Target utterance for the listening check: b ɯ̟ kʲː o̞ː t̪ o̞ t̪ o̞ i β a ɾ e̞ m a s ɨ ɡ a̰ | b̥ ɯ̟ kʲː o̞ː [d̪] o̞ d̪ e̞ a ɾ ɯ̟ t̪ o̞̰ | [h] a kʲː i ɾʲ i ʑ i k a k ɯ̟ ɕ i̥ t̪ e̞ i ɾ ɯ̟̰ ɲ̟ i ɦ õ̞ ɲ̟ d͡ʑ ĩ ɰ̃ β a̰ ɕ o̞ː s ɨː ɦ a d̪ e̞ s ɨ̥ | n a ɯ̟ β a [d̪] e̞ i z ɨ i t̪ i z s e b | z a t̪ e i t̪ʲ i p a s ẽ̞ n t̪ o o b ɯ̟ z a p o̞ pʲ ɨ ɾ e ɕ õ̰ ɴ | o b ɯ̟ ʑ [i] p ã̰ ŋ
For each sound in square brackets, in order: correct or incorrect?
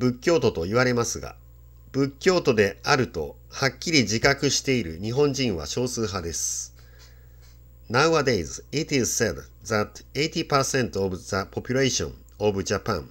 incorrect: t̪, correct, correct, incorrect: a

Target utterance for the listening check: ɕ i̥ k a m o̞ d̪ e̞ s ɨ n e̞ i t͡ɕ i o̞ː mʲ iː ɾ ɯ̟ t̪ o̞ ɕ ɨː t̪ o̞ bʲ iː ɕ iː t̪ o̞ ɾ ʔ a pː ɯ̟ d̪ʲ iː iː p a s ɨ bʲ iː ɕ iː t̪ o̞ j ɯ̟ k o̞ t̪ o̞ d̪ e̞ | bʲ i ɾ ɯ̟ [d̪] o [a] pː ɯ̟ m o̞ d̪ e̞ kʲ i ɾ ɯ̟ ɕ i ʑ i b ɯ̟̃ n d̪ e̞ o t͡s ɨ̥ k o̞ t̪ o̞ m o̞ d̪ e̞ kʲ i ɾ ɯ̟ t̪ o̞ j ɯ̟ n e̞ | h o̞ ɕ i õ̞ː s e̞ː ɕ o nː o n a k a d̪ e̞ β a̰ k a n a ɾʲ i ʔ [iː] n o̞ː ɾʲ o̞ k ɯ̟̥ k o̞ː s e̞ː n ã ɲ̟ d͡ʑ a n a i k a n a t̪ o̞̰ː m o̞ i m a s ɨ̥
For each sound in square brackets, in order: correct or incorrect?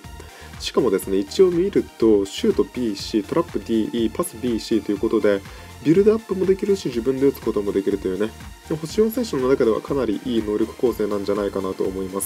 correct, correct, correct

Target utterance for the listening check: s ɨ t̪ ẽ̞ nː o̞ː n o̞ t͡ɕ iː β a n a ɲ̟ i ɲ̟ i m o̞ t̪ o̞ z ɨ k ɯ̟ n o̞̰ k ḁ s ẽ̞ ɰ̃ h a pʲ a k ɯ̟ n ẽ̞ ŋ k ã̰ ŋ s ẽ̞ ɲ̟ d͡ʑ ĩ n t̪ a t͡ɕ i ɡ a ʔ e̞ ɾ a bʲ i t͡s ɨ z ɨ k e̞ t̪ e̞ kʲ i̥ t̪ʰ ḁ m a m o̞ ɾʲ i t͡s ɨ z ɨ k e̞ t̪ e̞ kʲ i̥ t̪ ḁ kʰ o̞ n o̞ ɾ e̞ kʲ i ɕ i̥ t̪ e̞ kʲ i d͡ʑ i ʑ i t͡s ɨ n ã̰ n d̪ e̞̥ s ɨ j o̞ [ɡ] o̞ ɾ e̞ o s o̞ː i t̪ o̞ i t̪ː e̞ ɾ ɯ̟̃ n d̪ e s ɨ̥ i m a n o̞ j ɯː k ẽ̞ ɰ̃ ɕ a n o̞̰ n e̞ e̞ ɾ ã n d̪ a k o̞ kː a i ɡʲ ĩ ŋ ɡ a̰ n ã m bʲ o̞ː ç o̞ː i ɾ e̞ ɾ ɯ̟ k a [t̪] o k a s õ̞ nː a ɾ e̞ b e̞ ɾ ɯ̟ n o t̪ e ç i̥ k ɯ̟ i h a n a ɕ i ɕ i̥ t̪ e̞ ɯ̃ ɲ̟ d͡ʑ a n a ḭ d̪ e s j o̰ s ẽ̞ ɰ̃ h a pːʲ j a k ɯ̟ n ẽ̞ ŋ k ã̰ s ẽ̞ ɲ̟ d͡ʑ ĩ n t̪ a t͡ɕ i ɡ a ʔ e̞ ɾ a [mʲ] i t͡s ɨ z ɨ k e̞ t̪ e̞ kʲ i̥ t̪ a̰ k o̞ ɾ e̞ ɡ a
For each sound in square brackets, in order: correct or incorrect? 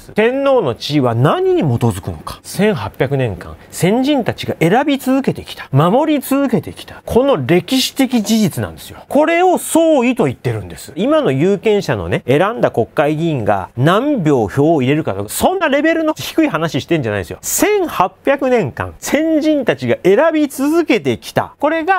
incorrect: k, correct, incorrect: bʲ

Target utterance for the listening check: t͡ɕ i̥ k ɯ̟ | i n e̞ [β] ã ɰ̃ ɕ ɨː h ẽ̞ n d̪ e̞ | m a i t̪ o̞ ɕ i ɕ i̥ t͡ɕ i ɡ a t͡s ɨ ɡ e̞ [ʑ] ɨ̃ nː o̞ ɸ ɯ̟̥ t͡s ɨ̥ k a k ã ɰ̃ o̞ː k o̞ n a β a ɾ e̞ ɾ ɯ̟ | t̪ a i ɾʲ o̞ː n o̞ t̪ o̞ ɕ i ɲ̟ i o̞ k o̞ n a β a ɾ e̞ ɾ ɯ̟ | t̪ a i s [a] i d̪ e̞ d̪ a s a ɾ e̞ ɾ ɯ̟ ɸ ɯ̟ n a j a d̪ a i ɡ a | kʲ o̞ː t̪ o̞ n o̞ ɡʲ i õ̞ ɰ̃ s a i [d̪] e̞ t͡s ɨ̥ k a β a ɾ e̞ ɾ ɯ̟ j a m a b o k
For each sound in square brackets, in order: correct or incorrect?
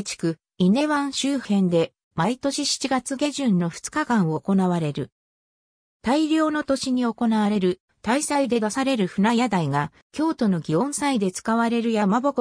correct, correct, correct, correct

